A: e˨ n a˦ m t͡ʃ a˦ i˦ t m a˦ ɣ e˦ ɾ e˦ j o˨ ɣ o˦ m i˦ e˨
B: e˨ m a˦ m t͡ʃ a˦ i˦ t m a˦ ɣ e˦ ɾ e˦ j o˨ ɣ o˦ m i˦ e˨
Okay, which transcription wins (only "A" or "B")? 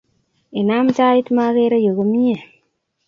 A